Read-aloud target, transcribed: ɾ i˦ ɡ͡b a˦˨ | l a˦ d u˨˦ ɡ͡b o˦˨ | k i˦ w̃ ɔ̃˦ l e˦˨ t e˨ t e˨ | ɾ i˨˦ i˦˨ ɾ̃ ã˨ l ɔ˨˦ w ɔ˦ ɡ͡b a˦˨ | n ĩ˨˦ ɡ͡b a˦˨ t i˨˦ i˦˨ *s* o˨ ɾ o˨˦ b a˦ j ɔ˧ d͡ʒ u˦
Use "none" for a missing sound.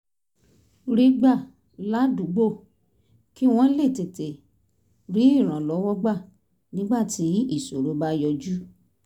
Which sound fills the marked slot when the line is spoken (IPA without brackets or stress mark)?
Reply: s